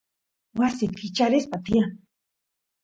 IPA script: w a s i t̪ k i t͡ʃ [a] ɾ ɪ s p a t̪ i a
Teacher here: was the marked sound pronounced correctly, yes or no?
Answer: yes